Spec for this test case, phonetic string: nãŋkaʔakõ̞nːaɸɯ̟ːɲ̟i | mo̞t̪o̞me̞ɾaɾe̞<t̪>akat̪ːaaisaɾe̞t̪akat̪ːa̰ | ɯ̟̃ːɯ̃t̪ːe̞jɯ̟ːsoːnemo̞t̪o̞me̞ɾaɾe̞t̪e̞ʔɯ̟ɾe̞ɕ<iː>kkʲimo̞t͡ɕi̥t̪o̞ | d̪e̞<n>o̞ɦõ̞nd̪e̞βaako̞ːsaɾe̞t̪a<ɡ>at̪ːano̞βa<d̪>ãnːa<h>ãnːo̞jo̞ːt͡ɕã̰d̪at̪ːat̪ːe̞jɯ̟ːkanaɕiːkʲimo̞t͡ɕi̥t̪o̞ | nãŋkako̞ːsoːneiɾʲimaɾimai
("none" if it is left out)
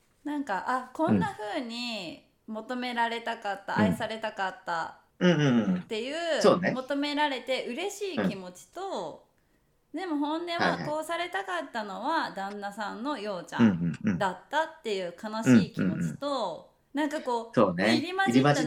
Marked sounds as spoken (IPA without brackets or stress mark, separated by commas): t̪, iː, m, k, d̪, s